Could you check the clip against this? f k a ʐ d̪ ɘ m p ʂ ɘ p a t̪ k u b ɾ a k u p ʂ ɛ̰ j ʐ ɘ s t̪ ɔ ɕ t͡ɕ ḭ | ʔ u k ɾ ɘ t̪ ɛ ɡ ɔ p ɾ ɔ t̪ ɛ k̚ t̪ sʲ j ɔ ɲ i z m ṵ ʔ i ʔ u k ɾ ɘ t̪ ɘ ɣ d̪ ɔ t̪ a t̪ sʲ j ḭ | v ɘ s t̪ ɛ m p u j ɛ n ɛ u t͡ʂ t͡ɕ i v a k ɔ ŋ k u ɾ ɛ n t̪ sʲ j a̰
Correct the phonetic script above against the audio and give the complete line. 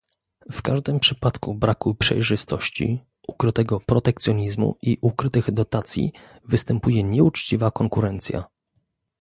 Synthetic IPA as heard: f k a ʐ d̪ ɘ m p ʂ ɘ p a t̪ k u b ɾ a k u p ʂ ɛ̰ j ʐ ɘ s t̪ ɔ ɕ t͡ɕ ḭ | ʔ u k ɾ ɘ t̪ ɛ ɡ ɔ p ɾ ɔ t̪ ɛ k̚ t̪ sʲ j ɔ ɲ i z m ṵ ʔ i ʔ u k ɾ ɘ t̪ ɘ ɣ d̪ ɔ t̪ a t̪ sʲ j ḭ | v ɘ s t̪ ɛ m p u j ɛ ɲ ɛ u t͡ʂ t͡ɕ i v a k ɔ ŋ k u ɾ ɛ n t̪ sʲ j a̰